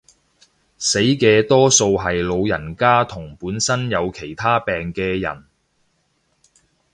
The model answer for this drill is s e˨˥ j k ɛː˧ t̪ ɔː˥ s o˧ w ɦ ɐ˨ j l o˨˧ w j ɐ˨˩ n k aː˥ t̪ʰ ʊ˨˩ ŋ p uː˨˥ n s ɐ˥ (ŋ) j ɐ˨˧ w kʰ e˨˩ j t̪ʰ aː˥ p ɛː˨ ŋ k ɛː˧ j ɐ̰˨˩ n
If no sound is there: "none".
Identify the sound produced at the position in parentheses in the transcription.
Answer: n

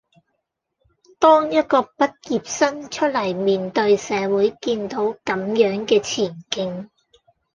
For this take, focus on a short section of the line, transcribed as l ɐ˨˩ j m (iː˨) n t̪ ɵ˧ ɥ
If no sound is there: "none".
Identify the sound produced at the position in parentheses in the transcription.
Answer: iː˨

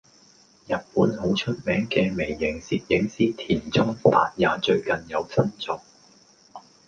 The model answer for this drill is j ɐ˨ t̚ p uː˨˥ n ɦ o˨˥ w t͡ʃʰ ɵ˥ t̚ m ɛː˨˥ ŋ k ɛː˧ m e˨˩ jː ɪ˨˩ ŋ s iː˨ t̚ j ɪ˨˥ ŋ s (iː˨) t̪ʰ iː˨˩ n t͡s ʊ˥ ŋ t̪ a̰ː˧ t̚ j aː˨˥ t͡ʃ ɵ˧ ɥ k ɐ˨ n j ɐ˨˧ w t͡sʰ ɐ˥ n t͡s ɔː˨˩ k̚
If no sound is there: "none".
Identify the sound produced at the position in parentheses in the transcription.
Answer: iː˥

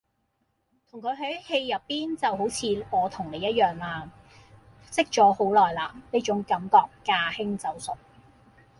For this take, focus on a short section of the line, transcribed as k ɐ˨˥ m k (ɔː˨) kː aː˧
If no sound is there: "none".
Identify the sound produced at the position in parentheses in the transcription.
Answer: ɔː˨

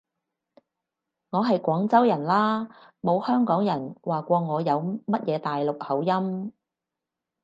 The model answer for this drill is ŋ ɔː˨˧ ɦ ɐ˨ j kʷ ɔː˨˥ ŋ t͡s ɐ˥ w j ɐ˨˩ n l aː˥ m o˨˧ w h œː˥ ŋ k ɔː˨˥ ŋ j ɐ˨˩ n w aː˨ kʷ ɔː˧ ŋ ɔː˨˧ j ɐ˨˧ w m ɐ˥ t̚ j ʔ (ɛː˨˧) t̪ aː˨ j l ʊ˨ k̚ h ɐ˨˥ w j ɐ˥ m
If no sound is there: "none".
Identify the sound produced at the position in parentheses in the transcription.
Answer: ɛː˨˧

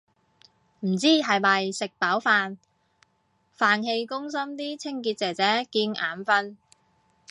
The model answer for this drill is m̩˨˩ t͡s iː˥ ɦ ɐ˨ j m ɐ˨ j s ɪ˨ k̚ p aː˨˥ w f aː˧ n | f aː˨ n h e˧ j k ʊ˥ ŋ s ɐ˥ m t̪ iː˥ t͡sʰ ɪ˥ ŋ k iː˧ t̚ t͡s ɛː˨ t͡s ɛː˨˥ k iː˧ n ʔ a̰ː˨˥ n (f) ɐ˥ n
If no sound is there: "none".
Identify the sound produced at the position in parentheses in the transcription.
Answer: f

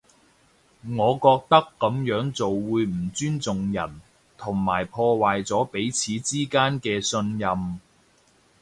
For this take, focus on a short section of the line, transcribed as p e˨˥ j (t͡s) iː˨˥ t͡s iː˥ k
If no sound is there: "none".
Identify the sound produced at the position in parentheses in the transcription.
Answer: t͡sʰ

